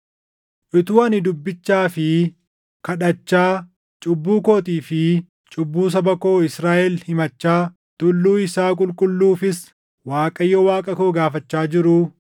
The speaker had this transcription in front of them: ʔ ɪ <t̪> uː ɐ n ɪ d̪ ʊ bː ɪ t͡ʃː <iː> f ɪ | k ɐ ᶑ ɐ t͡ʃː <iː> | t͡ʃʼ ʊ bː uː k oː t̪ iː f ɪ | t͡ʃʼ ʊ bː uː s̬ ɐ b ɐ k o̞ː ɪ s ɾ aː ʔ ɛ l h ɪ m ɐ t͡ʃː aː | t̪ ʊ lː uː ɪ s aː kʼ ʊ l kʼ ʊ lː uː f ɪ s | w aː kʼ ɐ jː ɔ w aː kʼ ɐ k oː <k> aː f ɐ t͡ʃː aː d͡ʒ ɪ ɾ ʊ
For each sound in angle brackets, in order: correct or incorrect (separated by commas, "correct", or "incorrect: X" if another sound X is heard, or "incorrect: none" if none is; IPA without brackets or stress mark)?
correct, incorrect: aː, incorrect: aː, incorrect: ɡ